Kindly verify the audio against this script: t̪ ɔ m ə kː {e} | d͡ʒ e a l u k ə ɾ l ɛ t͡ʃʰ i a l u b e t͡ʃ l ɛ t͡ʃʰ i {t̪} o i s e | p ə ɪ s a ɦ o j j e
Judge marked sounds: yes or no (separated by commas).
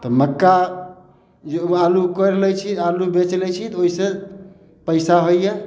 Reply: no, yes